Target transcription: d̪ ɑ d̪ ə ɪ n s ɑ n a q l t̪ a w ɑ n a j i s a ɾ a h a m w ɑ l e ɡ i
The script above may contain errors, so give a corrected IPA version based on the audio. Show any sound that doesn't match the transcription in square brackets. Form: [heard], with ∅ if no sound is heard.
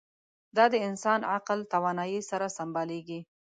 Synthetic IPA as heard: d̪ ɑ d̪ ə ɪ n s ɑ n a q l t̪ a w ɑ n [ɑ] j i s a ɾ a [s] a m [b] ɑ l e ɡ i